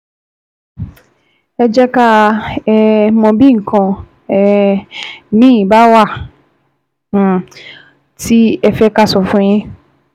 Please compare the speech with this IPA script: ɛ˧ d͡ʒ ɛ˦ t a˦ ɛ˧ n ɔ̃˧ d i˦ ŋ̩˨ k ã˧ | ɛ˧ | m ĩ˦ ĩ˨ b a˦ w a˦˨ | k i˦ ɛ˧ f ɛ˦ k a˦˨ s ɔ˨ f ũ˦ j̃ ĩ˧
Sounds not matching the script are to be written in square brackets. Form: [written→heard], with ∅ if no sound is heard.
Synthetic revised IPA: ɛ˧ d͡ʒ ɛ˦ [t→k] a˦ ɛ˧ [n→m] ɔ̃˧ [d→b] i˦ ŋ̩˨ k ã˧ | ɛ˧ | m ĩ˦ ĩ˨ b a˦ w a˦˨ | [k→t] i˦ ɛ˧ f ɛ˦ k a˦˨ s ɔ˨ f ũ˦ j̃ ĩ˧